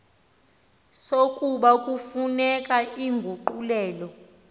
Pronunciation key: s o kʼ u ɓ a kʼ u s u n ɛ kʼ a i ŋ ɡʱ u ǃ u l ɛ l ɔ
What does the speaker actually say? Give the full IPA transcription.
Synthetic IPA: s o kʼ u ɓ a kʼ u f u n ɛ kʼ a i ŋ ɡʱ u ǃ u l ɛː l ɔ

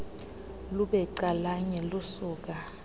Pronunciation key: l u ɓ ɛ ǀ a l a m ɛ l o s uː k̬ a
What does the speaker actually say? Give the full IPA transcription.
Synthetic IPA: l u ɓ ɛ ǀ a l a ɲ ɛ l u s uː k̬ a

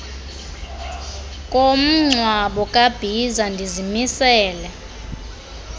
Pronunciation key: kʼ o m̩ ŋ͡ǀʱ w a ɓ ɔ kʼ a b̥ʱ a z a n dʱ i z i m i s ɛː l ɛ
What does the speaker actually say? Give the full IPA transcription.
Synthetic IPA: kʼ o m̩ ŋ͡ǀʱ w a ɓ ɔ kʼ a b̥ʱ i z a n dʱ i z i m i s ɛː l ɛ

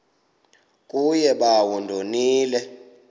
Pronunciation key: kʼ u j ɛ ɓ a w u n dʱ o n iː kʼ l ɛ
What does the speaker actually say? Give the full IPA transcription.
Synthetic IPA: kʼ u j ɛ ɓ a w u n dʱ o n iː l ɛ

